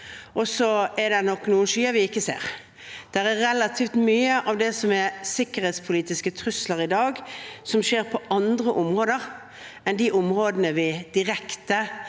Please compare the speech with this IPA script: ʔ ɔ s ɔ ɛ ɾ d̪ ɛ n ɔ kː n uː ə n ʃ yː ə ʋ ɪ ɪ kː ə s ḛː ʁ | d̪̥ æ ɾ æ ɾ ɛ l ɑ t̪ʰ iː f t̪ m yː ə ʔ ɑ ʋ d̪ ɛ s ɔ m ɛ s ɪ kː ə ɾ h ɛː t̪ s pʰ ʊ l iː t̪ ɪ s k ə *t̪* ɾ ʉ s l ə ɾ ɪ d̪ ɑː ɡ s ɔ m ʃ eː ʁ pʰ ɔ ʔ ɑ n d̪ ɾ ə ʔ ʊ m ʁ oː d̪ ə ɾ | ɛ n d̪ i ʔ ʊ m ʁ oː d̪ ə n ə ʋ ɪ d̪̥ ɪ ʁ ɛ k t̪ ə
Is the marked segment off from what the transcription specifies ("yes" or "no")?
yes